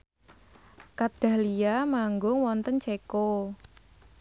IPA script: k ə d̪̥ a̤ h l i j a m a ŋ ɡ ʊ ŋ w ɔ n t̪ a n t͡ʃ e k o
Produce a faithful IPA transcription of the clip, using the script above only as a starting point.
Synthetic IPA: k a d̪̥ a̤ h l i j a m a ŋ ɡ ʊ ŋ w ɔ n t̪ ə n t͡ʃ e k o